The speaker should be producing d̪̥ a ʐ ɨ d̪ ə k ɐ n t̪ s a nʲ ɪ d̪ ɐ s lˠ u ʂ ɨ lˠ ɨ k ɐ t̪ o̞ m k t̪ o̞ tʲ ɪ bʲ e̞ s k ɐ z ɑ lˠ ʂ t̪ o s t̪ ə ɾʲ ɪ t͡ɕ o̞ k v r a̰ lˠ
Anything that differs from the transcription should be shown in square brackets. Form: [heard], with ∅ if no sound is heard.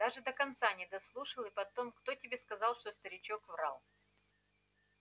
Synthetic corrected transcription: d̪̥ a ʐ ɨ d̪ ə k ɐ n t̪ s a nʲ ɪ d̪ ɐ s lˠ u ʂ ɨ lˠ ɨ [p] ɐ t̪ o̞ m k t̪ o̞ tʲ ɪ bʲ e̞ s k ɐ z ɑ lˠ ʂ t̪ o s t̪ ə ɾʲ ɪ t͡ɕ o̞ k v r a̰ lˠ